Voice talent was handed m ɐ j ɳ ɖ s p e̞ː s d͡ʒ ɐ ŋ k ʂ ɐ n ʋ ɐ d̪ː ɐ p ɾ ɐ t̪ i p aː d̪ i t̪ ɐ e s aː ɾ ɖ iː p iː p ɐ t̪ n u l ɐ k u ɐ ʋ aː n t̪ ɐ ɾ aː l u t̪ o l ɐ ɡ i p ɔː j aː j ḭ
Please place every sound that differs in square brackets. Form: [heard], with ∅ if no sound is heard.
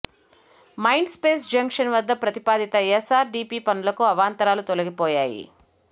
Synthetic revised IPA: m ɐ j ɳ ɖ s p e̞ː s d͡ʒ ɐ ŋ k ʂ ɐ n ʋ ɐ d̪ː ɐ p ɾ ɐ t̪ i p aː d̪ i t̪ ɐ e s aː ɾ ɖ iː p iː p ɐ [∅] n u l ɐ k u ɐ ʋ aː n t̪ ɐ ɾ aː l u t̪ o l ɐ ɡ i p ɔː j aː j ḭ